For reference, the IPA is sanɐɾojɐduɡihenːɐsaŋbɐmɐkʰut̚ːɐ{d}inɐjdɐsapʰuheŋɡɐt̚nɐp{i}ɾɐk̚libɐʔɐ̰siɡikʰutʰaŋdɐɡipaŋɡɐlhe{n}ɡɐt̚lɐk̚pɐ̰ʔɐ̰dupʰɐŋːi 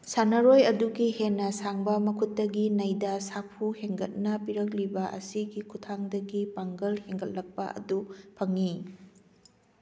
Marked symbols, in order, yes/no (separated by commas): no, yes, no